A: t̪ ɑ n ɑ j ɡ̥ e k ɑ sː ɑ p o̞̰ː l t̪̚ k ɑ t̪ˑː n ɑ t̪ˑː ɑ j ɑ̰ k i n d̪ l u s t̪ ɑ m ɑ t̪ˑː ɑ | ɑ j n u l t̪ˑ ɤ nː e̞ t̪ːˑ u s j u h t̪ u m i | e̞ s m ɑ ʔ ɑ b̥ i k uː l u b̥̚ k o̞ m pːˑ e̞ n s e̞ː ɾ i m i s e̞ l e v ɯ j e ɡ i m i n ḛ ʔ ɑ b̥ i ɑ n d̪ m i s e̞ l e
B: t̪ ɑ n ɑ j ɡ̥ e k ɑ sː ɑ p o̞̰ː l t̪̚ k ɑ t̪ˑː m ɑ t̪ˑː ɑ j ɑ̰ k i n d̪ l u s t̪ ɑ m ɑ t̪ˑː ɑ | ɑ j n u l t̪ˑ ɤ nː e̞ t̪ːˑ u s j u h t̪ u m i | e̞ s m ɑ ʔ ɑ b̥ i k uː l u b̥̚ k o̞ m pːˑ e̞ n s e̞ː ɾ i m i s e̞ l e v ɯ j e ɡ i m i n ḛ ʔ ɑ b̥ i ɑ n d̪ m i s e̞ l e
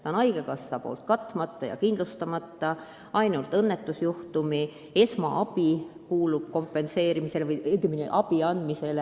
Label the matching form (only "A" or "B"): B